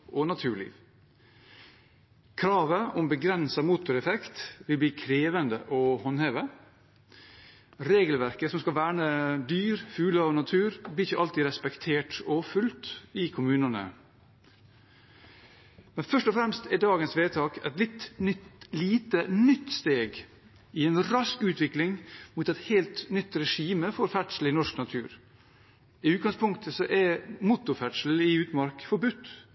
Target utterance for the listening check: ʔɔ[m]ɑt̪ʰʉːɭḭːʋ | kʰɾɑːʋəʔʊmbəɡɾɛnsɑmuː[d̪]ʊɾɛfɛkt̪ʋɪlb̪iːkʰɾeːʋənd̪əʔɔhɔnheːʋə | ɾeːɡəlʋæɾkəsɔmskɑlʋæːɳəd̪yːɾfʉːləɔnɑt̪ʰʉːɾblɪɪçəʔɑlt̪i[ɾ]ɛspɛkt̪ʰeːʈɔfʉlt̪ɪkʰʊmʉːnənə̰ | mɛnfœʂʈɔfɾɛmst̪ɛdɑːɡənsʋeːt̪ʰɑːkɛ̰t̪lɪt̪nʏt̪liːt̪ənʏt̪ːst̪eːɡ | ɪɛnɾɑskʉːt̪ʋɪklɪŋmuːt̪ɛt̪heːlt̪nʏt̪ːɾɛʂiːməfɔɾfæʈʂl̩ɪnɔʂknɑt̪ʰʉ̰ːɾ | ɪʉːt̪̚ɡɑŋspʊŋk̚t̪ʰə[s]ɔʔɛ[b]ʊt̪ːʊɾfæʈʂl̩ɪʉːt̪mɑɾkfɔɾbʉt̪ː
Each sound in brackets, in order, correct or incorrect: incorrect, incorrect, correct, correct, incorrect

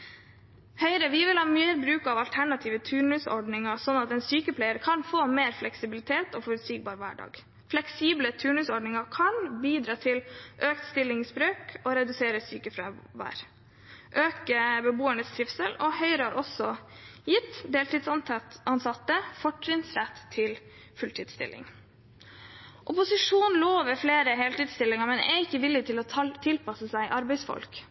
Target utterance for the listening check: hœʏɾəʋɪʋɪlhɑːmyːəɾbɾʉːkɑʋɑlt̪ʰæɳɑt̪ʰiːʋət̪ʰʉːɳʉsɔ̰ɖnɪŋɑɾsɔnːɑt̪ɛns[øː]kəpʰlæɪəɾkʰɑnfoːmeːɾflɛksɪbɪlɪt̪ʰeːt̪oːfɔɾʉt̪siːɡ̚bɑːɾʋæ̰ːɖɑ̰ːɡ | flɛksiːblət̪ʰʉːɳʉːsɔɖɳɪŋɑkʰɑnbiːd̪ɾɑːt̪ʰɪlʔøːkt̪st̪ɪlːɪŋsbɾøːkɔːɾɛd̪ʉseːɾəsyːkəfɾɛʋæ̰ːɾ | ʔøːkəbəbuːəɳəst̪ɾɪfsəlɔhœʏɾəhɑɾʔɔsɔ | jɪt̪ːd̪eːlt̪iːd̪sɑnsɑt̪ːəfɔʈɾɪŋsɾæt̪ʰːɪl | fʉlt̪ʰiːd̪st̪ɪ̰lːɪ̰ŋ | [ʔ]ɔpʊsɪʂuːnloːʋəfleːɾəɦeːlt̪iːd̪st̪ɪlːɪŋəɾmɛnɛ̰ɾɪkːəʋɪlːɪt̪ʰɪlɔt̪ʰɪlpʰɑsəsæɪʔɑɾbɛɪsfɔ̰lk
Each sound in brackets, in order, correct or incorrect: incorrect, correct

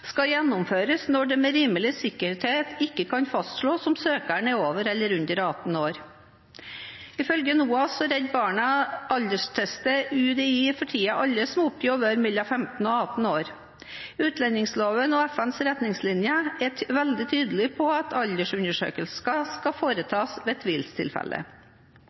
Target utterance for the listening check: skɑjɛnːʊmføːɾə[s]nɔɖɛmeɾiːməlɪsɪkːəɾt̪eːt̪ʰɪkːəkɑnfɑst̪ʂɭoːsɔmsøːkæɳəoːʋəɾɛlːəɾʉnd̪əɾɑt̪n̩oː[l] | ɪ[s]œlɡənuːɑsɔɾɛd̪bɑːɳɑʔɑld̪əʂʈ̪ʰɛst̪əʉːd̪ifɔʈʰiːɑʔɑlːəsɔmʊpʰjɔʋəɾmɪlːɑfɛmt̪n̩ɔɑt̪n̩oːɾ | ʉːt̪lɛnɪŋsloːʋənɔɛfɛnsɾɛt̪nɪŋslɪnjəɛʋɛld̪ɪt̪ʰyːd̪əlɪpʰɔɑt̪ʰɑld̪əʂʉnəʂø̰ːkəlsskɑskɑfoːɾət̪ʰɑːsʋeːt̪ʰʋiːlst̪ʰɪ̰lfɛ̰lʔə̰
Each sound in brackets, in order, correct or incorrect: correct, incorrect, incorrect

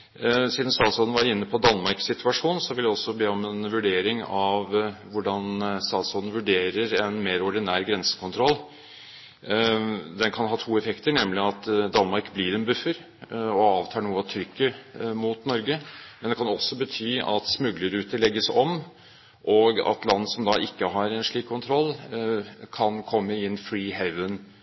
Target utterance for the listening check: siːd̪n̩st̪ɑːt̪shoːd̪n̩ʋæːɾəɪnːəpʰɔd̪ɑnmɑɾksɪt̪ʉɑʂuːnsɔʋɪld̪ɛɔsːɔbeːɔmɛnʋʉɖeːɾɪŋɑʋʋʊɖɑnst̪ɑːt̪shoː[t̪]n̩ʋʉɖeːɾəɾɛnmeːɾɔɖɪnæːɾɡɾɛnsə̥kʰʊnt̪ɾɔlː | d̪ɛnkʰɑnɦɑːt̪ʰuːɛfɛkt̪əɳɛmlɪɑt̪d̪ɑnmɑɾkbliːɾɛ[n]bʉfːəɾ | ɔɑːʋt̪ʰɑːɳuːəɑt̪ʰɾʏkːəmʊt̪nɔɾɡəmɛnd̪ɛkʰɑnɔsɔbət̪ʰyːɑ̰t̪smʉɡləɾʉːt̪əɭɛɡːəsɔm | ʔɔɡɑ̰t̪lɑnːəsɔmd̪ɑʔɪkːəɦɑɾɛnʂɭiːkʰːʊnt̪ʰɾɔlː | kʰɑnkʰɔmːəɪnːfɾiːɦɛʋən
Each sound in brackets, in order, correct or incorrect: incorrect, correct

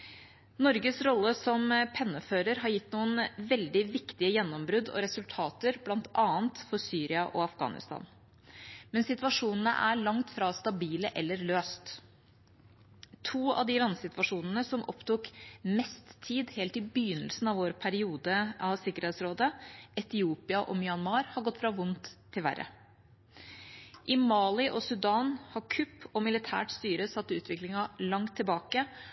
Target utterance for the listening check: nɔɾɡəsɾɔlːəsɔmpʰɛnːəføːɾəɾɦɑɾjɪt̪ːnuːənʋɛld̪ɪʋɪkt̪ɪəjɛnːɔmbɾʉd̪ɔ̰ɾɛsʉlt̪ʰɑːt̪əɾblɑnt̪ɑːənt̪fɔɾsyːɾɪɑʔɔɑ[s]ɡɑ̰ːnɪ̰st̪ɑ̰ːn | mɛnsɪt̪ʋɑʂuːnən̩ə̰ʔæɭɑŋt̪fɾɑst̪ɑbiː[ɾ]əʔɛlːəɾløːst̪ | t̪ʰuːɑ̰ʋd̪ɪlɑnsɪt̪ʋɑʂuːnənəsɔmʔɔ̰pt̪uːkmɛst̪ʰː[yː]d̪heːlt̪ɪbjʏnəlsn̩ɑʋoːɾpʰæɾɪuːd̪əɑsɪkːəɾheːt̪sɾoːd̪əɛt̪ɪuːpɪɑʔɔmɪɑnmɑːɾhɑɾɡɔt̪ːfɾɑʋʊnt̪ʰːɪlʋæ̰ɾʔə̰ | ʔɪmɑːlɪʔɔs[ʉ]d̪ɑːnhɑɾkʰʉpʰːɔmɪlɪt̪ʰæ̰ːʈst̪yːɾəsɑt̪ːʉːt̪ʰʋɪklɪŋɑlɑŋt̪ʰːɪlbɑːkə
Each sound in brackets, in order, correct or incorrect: incorrect, incorrect, incorrect, correct

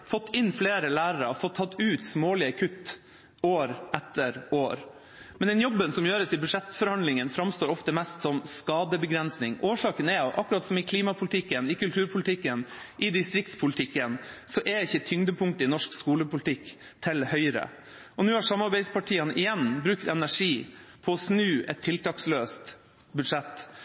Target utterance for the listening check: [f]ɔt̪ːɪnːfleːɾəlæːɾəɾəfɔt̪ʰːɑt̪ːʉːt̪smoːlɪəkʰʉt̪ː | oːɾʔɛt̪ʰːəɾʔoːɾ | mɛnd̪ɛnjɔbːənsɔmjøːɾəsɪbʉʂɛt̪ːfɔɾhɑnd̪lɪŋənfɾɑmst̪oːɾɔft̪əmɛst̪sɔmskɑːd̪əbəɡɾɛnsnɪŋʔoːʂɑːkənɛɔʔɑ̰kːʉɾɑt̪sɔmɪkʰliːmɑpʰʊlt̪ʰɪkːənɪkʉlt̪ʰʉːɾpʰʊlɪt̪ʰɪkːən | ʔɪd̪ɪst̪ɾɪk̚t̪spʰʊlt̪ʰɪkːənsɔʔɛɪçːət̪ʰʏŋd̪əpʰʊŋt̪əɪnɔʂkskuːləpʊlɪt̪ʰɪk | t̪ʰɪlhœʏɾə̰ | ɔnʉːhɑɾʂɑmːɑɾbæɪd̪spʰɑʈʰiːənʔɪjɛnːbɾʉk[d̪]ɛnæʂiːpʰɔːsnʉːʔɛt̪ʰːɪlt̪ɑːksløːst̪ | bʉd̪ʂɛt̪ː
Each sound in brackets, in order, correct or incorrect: correct, incorrect

